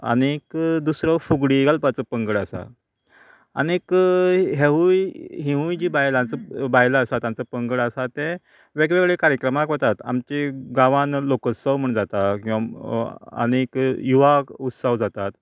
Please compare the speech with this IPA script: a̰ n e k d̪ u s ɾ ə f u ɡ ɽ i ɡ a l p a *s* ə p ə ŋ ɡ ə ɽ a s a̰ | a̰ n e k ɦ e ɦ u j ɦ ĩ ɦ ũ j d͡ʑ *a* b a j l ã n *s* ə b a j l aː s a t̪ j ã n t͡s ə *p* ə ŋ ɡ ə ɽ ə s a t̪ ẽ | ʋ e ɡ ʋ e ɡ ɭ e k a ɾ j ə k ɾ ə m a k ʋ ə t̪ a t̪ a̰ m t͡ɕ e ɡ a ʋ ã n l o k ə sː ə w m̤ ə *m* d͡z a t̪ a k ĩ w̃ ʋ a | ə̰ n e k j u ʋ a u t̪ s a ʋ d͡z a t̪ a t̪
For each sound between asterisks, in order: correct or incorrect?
incorrect: t͡s, incorrect: i, incorrect: t͡s, correct, incorrect: ɳ

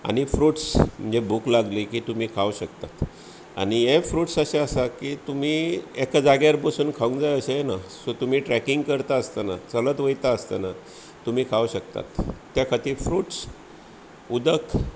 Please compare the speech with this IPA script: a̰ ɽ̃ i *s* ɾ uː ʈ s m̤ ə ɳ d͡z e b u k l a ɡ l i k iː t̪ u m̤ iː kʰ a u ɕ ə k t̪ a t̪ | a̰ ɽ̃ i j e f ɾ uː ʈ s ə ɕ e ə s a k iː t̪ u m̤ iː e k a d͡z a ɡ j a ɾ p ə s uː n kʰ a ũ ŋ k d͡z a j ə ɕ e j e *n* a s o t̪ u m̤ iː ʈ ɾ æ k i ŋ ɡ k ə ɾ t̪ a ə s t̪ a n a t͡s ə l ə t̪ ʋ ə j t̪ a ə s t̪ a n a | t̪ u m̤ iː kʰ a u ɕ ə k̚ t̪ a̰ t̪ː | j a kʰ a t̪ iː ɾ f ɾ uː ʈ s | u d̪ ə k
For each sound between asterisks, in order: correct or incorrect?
incorrect: f, correct

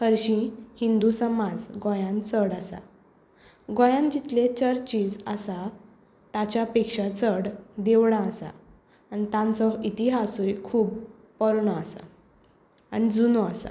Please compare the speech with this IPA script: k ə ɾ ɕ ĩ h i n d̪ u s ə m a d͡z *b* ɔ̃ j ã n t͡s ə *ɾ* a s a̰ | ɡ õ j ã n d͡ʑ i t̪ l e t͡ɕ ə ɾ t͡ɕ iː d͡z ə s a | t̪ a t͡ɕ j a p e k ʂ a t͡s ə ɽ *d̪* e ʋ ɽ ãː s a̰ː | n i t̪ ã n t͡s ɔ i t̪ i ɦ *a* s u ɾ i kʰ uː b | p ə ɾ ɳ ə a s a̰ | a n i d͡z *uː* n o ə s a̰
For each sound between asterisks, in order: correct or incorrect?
incorrect: ɡ, incorrect: ɽ, correct, correct, incorrect: u

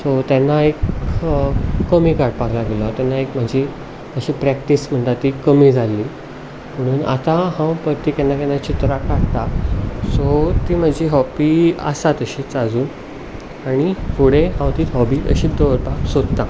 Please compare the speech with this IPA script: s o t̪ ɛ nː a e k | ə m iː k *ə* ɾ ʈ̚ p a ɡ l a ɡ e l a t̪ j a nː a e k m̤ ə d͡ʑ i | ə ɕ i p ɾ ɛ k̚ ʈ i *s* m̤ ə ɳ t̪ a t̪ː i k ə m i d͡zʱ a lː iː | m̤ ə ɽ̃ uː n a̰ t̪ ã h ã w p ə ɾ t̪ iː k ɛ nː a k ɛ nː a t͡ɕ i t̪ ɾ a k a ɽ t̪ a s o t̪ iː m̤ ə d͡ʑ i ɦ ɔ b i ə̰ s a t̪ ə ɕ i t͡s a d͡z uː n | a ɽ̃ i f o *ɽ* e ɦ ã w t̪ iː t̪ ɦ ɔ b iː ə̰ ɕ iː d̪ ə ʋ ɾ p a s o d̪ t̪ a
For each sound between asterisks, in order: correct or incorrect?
incorrect: a, correct, correct

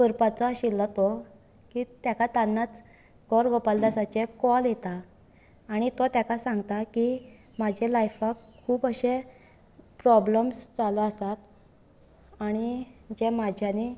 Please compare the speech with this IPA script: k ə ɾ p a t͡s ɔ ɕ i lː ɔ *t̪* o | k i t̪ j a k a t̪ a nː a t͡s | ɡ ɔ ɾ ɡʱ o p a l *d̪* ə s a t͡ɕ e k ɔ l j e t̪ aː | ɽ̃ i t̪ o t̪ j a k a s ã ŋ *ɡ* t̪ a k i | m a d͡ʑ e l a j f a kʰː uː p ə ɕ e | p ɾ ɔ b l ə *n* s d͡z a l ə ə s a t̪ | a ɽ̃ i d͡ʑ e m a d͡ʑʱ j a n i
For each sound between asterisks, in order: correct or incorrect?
correct, correct, correct, incorrect: m

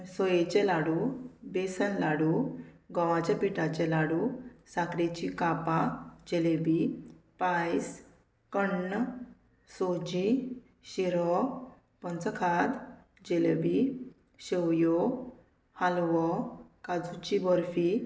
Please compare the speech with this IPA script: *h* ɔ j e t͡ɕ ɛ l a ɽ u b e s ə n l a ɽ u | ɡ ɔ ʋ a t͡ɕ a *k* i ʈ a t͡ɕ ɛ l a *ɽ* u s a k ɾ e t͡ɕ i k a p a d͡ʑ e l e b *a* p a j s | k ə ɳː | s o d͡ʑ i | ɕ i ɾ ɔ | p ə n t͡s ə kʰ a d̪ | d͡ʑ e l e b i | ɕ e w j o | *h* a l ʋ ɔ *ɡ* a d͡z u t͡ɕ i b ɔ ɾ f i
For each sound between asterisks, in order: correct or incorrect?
incorrect: s, incorrect: p, correct, incorrect: i, correct, incorrect: k

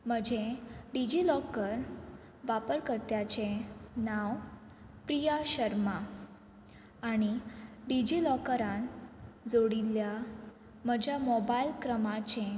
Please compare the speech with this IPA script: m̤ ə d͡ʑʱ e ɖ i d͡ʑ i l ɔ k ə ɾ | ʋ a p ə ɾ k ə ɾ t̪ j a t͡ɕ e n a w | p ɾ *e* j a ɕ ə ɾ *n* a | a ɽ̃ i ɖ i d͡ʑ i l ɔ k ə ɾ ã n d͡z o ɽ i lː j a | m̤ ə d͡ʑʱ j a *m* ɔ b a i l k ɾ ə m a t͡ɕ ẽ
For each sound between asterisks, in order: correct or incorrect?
incorrect: i, incorrect: m, correct

